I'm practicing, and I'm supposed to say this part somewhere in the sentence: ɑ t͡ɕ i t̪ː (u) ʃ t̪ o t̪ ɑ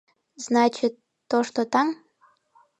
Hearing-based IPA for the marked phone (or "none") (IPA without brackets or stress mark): o